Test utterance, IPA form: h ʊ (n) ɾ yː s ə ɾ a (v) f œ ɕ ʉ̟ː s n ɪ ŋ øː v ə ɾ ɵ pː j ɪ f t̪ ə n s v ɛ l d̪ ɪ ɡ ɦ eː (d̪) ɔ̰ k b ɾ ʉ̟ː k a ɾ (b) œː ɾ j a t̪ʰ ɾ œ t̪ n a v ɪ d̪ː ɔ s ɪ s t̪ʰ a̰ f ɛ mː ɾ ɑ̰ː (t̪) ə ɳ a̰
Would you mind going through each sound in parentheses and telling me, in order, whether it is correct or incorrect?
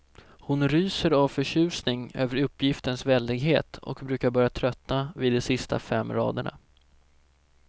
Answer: correct, correct, incorrect: t̪, correct, incorrect: d̪

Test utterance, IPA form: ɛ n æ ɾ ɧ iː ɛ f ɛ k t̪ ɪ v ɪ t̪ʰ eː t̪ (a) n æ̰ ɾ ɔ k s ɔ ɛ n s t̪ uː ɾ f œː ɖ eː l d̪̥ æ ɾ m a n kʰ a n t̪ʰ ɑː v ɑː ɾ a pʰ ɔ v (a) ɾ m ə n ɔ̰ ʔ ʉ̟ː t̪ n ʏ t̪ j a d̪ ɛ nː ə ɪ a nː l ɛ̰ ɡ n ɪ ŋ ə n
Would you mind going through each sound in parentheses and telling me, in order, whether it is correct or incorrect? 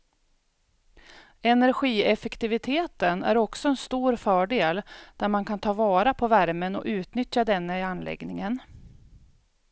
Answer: incorrect: ə, incorrect: æ

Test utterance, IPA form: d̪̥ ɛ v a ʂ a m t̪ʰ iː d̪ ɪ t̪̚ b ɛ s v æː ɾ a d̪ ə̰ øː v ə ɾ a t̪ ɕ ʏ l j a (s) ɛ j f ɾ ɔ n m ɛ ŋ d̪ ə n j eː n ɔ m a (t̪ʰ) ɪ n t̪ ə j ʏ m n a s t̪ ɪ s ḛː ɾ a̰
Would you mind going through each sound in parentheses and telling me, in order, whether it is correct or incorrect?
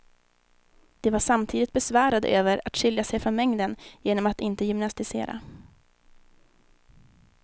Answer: correct, incorrect: t̪

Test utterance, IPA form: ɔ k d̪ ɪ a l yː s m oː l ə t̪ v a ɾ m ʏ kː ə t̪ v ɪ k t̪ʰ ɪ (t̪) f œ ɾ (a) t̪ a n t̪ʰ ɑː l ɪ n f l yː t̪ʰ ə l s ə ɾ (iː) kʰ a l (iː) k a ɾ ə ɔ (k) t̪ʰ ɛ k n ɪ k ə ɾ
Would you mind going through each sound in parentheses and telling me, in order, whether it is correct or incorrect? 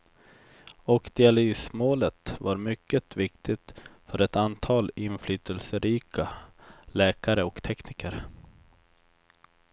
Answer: correct, incorrect: ɛ, correct, incorrect: ɛː, correct

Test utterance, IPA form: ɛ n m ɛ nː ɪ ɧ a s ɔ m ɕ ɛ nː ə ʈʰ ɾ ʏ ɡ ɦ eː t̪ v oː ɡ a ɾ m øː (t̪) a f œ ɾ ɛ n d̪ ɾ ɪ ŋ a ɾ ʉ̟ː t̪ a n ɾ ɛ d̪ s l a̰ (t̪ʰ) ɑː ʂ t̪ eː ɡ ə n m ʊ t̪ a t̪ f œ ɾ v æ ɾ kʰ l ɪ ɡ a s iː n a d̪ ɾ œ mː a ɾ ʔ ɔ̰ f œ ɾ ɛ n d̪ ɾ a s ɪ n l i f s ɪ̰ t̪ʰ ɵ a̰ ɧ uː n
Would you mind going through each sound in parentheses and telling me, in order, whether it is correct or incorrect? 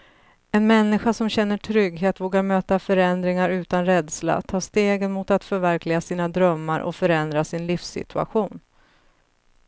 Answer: correct, correct

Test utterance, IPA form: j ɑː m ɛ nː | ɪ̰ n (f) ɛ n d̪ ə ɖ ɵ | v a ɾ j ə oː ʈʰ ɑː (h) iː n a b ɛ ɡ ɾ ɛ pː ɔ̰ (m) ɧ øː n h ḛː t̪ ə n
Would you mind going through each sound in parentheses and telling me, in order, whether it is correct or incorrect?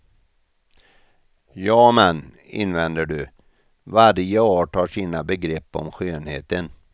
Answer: incorrect: v, incorrect: ʂ, correct

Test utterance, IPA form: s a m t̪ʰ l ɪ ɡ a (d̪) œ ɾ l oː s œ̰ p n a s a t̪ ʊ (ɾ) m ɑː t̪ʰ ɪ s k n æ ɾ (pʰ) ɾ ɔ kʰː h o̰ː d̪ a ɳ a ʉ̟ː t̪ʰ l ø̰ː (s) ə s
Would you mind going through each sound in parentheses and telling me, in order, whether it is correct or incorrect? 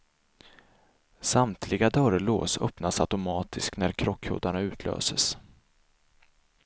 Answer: correct, incorrect: none, incorrect: kʰ, correct

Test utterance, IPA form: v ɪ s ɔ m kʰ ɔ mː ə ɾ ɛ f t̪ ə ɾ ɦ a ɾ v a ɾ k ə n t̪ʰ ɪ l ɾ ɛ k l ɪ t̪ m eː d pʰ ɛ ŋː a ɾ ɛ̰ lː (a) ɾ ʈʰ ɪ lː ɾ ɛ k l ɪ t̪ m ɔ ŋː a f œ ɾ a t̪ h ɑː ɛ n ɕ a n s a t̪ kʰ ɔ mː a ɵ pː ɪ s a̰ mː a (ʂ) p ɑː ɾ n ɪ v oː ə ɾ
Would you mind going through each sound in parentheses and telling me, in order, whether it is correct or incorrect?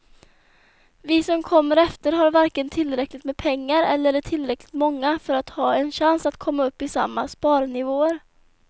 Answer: incorrect: ə, incorrect: s

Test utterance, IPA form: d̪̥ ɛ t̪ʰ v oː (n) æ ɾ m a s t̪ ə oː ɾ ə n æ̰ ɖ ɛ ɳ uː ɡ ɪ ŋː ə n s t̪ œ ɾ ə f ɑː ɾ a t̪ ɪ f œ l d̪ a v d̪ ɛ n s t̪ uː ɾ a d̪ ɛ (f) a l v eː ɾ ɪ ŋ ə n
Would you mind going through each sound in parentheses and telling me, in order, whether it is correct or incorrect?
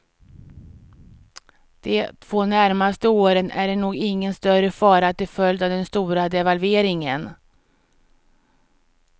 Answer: correct, incorrect: v

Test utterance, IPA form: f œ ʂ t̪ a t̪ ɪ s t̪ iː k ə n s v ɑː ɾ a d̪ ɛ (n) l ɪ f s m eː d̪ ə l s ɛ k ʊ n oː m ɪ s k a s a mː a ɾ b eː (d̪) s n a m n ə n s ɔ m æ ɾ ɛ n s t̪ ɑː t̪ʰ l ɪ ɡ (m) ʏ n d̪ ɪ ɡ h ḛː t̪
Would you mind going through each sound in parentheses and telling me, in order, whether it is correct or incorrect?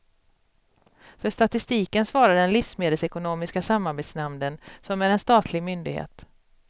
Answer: correct, incorrect: t̪, correct

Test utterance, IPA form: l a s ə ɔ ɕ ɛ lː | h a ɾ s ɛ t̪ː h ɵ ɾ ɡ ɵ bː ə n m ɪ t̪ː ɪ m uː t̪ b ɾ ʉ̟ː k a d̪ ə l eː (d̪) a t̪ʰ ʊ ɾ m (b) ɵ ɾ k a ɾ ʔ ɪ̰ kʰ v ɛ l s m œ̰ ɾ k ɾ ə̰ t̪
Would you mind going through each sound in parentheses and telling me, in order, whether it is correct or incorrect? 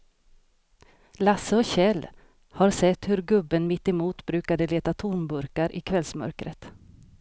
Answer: incorrect: t̪, correct

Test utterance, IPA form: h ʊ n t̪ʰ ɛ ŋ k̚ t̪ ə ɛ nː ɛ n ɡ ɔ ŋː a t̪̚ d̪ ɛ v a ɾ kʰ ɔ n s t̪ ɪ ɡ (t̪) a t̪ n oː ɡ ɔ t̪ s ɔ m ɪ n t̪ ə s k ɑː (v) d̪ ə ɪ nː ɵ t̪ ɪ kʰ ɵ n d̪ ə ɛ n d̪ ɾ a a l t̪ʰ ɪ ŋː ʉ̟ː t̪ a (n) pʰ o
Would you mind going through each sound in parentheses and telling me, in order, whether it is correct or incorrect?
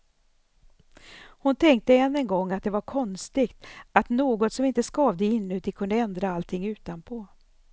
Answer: correct, correct, correct

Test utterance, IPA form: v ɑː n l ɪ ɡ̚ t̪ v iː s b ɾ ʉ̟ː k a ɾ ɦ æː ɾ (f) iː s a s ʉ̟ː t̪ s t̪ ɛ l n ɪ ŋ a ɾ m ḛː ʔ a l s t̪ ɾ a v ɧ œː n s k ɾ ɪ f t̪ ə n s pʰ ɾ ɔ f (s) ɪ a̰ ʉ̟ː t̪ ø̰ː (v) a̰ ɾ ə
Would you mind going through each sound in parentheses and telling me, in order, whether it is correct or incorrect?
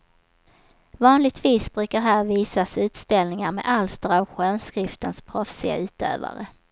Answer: incorrect: v, correct, correct

